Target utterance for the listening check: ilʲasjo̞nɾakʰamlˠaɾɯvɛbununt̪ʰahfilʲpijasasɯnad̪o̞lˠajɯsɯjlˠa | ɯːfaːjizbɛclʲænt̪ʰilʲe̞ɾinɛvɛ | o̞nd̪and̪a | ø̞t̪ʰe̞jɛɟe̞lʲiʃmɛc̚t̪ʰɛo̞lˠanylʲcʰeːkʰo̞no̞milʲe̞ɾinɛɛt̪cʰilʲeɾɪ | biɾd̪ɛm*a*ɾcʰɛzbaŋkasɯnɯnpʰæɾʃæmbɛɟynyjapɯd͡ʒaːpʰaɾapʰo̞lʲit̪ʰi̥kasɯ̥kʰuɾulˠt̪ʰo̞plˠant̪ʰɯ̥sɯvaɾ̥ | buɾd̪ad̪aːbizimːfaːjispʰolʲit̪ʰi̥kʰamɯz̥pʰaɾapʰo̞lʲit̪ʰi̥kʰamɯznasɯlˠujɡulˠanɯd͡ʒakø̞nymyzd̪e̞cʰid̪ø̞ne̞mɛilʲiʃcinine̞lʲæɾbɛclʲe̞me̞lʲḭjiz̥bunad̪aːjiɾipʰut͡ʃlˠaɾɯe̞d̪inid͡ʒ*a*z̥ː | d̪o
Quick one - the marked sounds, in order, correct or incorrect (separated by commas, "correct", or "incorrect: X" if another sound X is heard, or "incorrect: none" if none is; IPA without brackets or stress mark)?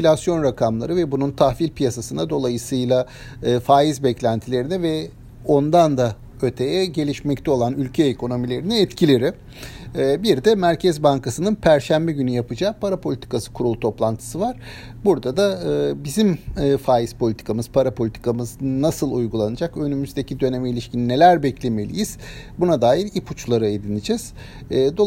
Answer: incorrect: æ, incorrect: ɛ